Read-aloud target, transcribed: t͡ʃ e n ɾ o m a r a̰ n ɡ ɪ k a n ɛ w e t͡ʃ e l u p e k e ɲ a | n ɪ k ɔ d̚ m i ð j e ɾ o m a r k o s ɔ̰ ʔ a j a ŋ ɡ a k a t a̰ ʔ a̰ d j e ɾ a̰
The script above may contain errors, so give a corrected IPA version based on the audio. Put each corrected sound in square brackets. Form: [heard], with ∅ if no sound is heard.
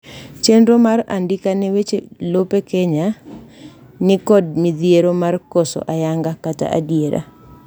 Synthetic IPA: t͡ʃ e n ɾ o m a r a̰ n [d] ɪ k a n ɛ w e t͡ʃ e l [o] p e k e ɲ a | n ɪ k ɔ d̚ m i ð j e ɾ o m a r k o s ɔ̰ ʔ a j a ŋ ɡ a k a t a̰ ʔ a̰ d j e ɾ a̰